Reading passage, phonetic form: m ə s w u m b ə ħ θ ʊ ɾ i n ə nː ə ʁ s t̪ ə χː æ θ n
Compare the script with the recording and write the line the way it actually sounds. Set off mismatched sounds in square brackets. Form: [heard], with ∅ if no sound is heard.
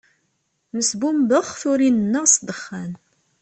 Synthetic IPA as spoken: m ə s [b] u m b ə [χ] θ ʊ ɾ i n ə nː ə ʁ s [d̪] ə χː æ [∅] n